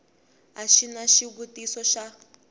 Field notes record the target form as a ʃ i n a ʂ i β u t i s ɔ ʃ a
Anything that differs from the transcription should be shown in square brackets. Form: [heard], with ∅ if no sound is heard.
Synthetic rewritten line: a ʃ i n a [ʃ] i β u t i s ɔ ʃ a